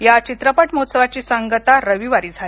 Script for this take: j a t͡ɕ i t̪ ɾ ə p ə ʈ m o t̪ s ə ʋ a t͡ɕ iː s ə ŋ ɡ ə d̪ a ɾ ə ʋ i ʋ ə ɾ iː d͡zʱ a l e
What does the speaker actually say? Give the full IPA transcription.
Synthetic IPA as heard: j a t͡ɕ i t̪ ɾ ə p ə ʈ m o t̪ s ə ʋ a t͡ɕ iː s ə ŋ ɡ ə t̪ a ɾ ə ʋ i ʋ a ɾ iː d͡zʱ a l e